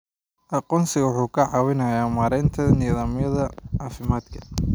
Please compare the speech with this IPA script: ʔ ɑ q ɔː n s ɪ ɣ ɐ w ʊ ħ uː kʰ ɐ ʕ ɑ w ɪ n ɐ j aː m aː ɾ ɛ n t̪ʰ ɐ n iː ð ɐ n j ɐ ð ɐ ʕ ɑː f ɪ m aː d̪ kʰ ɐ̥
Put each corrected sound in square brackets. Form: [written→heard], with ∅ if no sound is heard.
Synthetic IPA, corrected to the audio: ʔ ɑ q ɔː n s ɪ ɣ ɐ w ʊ ħ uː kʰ ɐ ʕ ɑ w ɪ n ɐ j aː m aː ɾ ɛ n t̪ʰ ɐ n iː ð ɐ [n→m] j ɐ ð ɐ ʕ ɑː f ɪ m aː d̪ kʰ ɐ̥